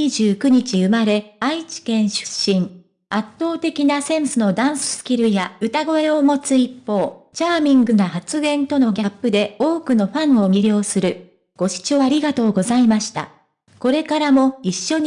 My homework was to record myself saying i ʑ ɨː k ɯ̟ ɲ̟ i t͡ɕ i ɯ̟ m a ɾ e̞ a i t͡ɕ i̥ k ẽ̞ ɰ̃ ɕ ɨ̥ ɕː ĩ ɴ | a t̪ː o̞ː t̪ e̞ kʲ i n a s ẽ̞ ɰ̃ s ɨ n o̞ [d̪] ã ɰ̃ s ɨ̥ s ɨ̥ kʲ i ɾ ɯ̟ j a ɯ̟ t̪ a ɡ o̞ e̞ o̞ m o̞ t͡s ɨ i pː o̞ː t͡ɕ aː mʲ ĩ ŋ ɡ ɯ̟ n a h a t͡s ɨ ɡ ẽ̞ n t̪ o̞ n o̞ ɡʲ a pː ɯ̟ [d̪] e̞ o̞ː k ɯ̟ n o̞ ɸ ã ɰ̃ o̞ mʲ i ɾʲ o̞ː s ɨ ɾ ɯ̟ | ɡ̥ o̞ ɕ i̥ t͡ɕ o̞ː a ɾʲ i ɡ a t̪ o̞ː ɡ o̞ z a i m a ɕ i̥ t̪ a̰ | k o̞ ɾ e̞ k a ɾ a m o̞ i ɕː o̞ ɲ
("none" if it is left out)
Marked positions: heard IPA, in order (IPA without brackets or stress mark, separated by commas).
d̪, d̪